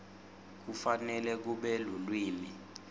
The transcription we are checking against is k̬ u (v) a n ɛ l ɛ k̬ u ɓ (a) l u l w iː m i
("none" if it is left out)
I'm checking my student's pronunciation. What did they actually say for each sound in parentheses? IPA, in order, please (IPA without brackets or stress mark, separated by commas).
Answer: f, ɛ